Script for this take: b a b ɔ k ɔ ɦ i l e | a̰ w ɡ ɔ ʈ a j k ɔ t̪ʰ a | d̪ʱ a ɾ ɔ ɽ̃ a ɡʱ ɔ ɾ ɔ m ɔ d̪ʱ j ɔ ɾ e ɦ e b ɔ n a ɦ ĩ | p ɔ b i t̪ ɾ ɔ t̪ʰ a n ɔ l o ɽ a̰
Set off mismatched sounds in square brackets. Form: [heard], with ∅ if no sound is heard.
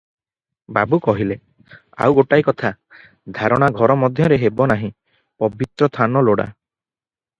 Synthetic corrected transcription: b a b [u] k ɔ ɦ i l e | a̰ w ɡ [o] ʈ a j k ɔ t̪ʰ a | d̪ʱ a ɾ ɔ ɽ̃ a ɡʱ ɔ ɾ ɔ m ɔ d̪ʱ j ɔ ɾ e ɦ e b ɔ n a ɦ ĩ | p ɔ b i t̪ ɾ ɔ t̪ʰ a n ɔ l o ɽ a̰